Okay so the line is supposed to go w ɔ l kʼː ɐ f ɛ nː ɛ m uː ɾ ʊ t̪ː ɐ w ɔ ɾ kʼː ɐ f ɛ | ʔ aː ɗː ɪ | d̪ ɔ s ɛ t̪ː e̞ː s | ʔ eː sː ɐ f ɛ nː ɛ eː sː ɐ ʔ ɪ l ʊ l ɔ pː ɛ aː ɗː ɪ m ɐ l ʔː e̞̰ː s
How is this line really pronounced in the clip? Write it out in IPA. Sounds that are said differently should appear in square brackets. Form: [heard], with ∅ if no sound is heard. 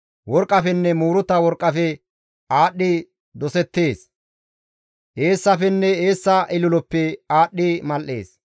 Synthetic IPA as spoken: w ɔ [ɾ] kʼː ɐ f ɛ nː ɛ m uː ɾ ʊ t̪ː ɐ w ɔ ɾ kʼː ɐ f ɛ | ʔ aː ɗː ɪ | d̪ ɔ s ɛ t̪ː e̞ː s | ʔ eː sː ɐ f ɛ nː ɛ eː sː ɐ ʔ ɪ l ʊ l ɔ pː ɛ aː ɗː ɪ m ɐ l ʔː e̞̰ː s